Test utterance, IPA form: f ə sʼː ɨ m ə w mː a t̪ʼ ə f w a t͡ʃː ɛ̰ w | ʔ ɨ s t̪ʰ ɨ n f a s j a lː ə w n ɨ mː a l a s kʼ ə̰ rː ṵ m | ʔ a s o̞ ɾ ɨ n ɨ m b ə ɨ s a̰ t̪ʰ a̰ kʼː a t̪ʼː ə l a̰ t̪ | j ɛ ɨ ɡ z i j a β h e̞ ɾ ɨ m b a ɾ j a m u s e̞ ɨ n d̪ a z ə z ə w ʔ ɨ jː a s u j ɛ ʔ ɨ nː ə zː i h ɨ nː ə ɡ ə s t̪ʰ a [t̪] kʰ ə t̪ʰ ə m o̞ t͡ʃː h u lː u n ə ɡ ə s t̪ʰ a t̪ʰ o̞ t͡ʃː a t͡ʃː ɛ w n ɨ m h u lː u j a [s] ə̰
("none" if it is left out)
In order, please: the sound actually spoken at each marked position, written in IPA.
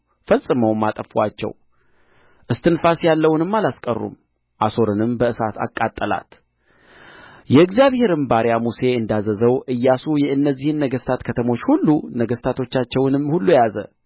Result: t̪, z

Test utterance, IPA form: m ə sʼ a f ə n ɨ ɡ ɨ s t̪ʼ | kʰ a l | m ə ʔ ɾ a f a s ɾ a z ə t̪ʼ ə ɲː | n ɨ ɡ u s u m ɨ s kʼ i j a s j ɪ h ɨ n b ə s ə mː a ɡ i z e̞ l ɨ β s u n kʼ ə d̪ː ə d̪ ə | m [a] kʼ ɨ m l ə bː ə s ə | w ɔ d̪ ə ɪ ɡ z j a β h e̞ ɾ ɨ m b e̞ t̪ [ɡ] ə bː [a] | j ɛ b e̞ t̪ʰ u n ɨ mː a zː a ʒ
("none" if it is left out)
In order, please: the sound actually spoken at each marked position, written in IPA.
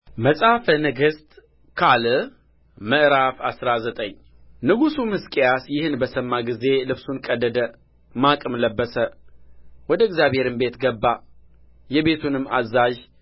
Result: a, ɡ, a

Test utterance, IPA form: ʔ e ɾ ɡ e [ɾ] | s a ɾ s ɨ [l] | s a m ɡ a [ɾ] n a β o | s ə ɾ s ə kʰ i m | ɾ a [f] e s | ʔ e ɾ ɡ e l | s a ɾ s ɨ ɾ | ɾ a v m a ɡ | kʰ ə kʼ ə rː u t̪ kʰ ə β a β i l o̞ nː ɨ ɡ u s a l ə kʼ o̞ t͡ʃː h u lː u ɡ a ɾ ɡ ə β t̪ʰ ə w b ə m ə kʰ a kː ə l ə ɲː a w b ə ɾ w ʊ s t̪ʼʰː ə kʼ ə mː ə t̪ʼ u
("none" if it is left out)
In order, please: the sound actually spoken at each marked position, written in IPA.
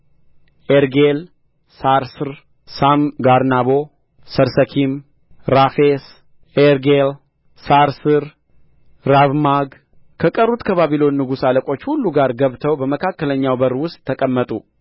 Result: l, ɾ, ɾ, f

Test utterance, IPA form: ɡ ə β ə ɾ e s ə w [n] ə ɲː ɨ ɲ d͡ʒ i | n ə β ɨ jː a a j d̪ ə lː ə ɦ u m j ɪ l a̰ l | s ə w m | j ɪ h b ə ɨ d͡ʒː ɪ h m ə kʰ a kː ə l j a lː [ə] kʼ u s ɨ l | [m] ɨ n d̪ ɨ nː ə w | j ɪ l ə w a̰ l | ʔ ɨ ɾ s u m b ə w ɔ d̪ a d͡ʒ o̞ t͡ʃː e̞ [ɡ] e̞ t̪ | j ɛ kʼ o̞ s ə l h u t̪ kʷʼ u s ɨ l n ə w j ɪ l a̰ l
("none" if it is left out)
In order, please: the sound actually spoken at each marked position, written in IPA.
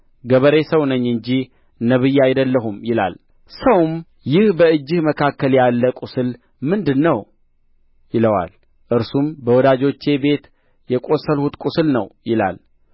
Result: n, ə, m, b

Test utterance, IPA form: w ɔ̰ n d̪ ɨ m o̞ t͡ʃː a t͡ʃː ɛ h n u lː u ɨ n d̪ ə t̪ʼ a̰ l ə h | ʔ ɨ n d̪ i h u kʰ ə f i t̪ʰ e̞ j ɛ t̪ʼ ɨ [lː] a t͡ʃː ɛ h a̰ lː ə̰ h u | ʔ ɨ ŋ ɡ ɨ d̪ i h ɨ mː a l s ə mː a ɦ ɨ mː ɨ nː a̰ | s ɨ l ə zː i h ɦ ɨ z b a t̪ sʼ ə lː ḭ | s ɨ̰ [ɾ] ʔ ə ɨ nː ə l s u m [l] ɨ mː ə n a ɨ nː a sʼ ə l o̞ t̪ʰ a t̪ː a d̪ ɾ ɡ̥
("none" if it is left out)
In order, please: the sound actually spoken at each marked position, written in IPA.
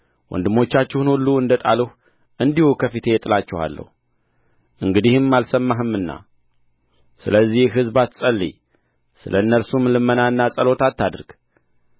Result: l, l, l

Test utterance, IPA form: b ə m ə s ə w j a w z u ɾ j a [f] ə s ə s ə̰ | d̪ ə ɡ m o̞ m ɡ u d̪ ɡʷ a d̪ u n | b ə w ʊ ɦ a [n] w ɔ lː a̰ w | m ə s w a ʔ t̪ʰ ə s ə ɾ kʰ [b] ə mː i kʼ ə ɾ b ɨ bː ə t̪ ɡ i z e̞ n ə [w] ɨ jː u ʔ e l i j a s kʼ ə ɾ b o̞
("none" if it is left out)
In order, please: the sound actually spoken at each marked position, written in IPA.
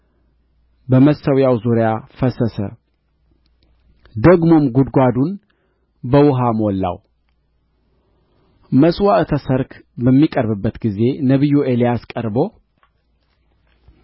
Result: f, m, b, β

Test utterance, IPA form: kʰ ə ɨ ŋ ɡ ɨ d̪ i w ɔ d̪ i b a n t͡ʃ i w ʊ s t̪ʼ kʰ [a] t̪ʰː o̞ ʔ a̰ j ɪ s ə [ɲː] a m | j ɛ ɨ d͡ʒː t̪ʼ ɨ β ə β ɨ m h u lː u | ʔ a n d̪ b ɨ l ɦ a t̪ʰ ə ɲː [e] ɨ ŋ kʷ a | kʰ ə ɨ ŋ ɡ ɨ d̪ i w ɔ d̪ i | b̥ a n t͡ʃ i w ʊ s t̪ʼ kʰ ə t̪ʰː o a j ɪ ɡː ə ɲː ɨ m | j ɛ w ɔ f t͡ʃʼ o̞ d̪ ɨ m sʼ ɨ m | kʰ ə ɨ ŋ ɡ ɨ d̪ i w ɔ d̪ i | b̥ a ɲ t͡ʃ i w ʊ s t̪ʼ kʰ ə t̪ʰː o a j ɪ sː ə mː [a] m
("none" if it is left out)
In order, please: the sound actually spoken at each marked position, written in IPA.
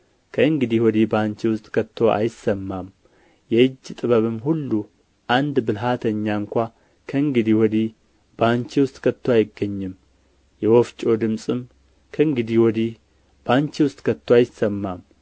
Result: ə, mː, a, a

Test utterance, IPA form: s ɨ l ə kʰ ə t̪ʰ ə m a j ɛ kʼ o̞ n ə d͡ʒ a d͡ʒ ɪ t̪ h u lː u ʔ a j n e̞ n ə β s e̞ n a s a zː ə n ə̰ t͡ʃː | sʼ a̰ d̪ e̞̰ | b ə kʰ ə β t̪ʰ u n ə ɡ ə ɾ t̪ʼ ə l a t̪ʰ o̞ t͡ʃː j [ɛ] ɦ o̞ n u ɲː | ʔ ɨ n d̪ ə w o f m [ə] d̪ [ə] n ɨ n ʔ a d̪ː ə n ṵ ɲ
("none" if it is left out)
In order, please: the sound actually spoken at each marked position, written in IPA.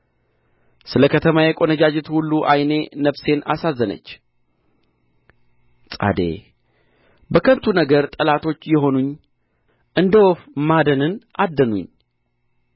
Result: ɛ, a, ə

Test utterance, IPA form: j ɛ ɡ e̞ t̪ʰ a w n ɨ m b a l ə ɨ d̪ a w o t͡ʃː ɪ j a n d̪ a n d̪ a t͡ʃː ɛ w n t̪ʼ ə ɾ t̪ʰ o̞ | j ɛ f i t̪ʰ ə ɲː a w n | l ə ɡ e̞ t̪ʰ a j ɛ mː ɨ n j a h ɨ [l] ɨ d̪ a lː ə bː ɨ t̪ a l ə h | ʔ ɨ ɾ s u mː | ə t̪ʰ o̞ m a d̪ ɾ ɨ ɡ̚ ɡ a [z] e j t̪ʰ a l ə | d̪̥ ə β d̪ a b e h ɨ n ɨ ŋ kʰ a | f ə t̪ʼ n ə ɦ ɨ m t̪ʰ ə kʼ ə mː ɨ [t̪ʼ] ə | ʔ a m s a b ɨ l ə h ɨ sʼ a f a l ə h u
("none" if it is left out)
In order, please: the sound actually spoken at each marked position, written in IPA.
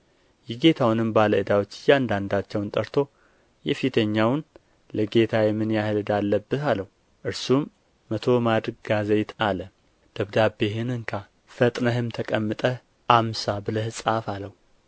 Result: l, z, t̪ʼ

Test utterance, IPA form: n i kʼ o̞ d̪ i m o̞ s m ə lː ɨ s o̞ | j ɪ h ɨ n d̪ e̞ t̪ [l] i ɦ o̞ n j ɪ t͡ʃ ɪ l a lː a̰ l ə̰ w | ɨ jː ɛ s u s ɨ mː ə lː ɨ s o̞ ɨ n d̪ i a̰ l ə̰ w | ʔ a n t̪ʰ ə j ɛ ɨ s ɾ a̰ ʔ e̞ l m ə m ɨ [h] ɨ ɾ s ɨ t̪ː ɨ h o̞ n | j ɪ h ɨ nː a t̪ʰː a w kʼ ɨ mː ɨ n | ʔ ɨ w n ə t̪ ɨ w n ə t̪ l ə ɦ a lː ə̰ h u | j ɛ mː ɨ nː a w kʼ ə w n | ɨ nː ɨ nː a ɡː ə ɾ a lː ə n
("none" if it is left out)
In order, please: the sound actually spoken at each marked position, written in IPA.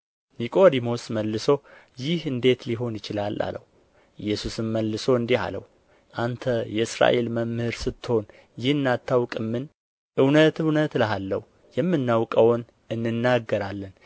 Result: l, h

